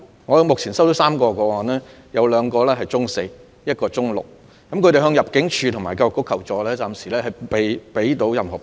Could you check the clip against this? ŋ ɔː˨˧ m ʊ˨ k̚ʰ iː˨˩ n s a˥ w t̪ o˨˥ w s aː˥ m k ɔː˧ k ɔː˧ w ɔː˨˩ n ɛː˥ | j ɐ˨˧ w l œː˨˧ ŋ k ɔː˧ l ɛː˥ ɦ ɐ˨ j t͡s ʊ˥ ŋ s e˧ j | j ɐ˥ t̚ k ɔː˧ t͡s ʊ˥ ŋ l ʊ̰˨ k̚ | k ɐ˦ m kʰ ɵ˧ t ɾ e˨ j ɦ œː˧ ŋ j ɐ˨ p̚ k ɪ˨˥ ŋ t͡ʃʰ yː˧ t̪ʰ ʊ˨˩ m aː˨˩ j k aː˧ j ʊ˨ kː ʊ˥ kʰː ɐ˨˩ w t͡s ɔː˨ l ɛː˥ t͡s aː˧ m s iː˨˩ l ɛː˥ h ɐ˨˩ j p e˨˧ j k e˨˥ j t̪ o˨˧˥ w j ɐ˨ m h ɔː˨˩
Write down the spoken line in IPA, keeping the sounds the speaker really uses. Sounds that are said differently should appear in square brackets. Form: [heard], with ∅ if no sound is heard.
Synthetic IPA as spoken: ŋ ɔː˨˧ m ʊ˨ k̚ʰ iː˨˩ n s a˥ w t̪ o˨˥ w s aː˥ m k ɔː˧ k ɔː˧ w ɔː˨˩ n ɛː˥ | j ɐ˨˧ w l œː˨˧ ŋ k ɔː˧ l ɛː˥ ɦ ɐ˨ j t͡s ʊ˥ ŋ s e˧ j | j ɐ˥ t̚ k ɔː˧ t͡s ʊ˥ ŋ l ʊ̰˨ k̚ | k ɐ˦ m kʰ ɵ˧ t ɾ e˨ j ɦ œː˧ ŋ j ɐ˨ p̚ k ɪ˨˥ ŋ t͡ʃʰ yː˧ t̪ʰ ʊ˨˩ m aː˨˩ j k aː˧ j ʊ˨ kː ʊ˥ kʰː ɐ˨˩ w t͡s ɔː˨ l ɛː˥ t͡s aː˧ m s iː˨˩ l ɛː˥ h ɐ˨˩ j p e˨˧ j [p] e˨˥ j t̪ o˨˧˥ w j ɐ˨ m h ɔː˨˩